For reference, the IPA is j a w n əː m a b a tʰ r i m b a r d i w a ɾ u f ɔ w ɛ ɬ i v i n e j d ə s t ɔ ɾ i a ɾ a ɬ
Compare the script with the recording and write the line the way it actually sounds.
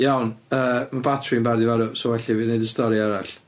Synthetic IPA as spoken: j a w n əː m a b a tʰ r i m b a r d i v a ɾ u s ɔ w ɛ ɬ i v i n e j d ə s t ɔ ɾ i a ɾ a ɬ